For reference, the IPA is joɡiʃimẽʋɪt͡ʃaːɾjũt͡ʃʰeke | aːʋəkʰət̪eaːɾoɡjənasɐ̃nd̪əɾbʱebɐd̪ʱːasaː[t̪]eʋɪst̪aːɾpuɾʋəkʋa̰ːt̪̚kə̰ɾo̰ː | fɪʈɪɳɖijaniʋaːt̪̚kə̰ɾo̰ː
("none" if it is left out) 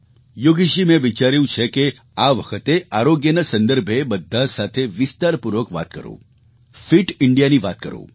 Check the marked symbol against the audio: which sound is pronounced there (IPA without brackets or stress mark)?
t̪ʰ